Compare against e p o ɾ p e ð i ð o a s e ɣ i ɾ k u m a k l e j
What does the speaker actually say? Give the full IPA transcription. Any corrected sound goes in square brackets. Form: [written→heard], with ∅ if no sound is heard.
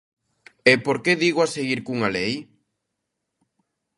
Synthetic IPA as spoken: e p o ɾ [p→k] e ð i [ð→ɣ] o a s e ɣ i ɾ k u [m→ŋ] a [k→∅] l e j